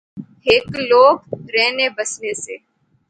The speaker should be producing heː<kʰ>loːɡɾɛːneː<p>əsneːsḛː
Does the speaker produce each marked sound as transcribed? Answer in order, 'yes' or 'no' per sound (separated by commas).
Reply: no, no